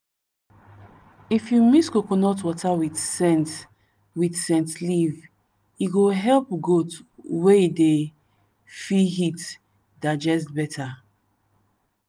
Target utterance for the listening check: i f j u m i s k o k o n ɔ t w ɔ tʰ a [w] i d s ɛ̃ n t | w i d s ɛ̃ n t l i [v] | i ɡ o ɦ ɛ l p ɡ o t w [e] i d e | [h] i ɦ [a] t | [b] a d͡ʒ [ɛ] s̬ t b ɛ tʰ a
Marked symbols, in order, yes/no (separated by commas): yes, yes, yes, no, no, no, yes